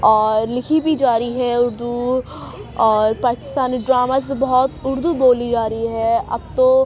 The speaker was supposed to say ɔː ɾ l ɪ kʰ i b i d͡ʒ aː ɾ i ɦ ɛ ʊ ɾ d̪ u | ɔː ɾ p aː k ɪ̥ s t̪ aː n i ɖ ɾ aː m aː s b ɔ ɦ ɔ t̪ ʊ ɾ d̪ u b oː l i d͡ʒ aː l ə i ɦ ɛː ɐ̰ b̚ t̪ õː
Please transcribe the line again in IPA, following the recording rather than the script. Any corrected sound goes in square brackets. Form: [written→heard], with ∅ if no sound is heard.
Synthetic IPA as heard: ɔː ɾ l ɪ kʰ i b i d͡ʒ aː ɾ i ɦ ɛ ʊ ɾ d̪ u | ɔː ɾ p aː k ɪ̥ s t̪ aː n i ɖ ɾ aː m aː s b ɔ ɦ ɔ t̪ ʊ ɾ d̪ u b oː l i d͡ʒ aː [l→ɾ] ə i ɦ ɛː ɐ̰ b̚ t̪ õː